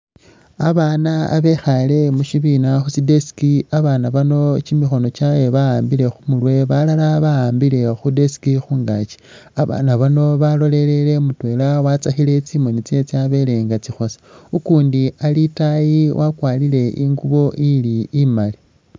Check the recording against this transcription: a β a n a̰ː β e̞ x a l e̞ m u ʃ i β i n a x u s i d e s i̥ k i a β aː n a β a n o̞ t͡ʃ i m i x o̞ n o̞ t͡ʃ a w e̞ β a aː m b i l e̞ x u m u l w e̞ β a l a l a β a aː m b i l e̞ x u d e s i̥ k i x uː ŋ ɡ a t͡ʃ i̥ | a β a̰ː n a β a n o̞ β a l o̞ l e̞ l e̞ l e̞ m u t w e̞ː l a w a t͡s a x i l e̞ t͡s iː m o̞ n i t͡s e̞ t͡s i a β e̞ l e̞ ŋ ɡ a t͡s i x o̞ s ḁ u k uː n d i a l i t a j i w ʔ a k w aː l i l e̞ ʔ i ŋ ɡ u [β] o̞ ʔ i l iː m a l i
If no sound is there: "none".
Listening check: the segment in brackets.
β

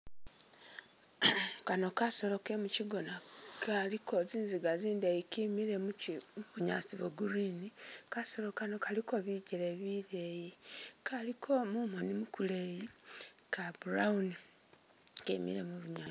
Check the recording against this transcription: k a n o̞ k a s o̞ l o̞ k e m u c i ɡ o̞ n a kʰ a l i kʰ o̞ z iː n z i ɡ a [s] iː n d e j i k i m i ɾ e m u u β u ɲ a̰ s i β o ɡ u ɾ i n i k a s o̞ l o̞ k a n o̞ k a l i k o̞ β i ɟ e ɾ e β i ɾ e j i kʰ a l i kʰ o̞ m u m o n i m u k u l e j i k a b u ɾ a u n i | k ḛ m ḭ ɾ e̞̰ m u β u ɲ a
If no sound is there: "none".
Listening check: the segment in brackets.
z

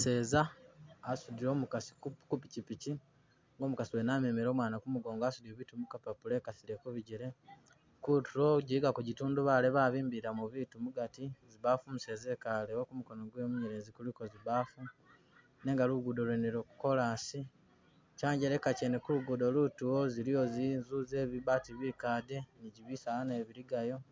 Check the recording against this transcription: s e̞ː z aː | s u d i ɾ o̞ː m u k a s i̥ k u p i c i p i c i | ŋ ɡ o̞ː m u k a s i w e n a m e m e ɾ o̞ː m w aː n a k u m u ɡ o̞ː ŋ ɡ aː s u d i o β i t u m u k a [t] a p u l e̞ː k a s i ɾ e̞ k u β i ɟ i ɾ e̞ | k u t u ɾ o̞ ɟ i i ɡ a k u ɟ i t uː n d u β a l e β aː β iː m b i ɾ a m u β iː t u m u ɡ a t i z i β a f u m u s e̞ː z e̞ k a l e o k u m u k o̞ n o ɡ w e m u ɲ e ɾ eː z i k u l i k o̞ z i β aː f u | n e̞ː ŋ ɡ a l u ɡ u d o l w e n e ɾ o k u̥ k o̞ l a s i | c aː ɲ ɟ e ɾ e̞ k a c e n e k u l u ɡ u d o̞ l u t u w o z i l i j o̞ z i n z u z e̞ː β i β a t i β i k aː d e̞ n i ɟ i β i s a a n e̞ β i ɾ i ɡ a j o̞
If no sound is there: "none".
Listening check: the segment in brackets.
p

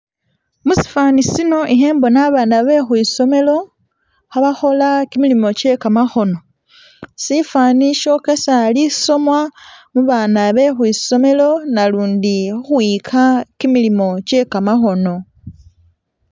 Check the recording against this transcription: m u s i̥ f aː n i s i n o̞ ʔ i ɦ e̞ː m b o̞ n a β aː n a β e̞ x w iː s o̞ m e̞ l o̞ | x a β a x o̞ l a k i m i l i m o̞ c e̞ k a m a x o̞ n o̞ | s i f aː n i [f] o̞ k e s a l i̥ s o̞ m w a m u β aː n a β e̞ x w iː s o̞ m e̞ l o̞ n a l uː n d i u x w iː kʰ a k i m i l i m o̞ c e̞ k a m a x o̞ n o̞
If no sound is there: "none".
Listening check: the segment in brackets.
ʃ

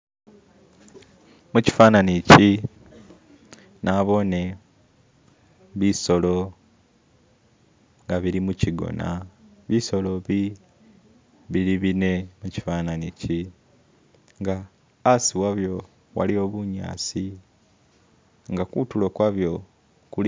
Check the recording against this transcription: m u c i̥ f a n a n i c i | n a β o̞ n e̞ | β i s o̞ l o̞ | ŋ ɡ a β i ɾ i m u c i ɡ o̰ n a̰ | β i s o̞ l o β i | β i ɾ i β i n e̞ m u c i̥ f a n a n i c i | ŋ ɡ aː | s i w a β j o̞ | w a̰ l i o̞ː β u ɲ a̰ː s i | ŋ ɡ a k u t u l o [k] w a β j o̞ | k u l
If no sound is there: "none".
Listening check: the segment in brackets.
k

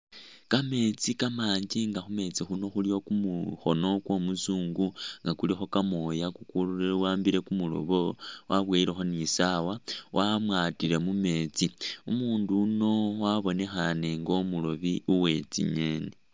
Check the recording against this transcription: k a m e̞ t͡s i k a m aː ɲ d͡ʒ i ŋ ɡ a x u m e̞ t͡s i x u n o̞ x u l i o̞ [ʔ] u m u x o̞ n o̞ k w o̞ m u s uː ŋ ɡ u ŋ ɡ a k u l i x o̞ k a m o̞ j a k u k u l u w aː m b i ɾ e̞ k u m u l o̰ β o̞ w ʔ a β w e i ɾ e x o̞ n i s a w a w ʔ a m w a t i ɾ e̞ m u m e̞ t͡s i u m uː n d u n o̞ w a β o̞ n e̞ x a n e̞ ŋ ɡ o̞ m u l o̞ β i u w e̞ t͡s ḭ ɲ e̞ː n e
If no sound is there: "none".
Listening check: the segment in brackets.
k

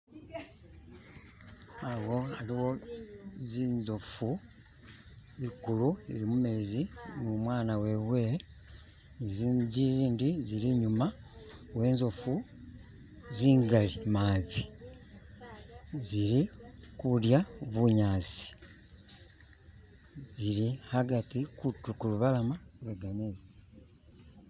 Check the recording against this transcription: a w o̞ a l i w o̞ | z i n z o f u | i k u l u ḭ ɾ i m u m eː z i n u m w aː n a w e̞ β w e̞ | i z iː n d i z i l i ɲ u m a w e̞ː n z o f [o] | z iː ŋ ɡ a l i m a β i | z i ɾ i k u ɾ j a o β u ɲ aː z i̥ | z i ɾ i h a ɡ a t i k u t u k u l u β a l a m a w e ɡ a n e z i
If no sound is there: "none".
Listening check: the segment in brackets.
u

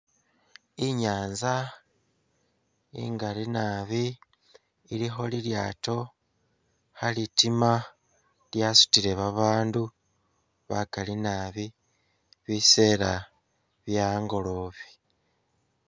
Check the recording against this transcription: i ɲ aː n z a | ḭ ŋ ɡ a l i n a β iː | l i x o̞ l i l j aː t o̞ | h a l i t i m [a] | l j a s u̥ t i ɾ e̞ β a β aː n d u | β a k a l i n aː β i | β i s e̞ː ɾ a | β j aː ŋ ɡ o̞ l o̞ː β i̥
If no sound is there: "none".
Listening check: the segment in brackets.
a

